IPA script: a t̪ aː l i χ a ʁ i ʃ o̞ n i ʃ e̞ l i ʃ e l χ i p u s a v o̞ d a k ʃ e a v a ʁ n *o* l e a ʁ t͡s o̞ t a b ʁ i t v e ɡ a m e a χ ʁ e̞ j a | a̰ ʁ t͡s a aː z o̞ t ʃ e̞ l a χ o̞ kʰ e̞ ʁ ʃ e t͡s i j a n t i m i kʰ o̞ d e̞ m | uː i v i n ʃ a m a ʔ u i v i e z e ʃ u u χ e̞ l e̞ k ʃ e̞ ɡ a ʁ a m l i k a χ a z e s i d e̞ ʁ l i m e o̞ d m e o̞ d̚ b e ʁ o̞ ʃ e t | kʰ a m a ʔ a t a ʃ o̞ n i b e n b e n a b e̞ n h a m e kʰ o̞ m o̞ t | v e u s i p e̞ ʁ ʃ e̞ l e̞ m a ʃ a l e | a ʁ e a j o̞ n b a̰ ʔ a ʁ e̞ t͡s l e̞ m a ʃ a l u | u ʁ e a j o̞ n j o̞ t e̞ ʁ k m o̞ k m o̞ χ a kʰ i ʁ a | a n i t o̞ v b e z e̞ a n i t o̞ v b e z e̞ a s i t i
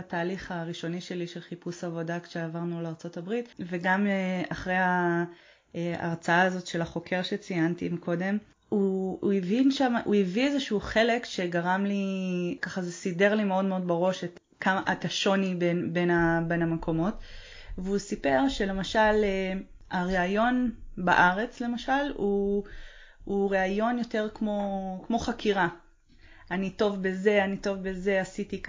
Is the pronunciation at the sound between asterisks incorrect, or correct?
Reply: incorrect